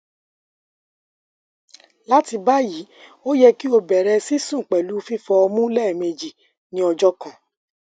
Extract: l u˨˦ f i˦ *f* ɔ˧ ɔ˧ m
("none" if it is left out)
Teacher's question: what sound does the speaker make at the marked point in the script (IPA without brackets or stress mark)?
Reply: f